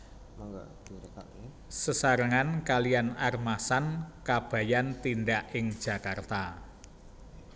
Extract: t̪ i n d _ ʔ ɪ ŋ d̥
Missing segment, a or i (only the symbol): a